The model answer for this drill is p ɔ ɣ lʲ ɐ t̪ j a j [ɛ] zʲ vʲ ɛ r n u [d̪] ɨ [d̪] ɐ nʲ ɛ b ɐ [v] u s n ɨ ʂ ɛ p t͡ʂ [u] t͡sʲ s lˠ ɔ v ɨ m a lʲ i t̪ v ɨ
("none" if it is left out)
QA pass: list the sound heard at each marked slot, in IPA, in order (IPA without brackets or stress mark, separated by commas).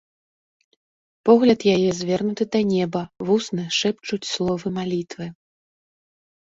ɛ, t̪, d̪, v, u